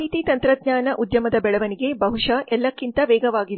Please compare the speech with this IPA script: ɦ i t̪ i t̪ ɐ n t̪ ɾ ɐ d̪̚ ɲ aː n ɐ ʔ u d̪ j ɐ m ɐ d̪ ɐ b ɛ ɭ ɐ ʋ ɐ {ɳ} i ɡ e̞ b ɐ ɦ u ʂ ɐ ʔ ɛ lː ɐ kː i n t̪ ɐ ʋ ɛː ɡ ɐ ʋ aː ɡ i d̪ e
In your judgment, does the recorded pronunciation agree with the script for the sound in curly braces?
no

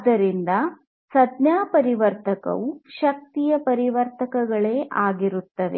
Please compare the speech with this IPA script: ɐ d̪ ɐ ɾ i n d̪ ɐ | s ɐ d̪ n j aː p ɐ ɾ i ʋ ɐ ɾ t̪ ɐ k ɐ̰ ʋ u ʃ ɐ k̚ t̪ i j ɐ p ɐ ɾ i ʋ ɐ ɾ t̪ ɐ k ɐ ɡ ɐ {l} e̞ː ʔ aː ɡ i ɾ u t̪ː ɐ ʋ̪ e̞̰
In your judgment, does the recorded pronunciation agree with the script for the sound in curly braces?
no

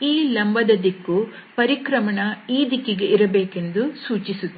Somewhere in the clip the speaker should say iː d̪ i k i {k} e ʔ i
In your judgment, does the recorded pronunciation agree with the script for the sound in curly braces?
no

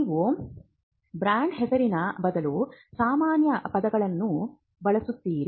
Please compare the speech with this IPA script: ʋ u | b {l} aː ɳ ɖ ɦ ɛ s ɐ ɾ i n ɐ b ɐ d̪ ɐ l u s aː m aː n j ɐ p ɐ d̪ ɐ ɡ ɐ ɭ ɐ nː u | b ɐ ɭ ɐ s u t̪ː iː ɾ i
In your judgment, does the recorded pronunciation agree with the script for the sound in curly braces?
no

